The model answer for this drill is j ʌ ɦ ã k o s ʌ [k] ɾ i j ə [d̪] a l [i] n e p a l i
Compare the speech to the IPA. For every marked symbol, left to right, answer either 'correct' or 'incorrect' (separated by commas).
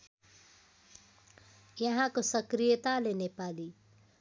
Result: correct, incorrect, incorrect